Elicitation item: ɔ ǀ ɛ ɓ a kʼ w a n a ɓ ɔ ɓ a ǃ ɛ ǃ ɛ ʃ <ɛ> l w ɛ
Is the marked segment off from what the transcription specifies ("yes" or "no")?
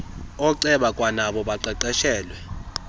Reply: yes